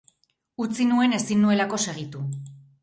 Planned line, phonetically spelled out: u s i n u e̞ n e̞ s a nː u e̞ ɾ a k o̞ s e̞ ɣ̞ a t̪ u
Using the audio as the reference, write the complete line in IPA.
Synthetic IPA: u t͡s i n u e̞ n e̞ s i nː u e̞ l a k o̞ s e̞ ɣ̞ i t̪ u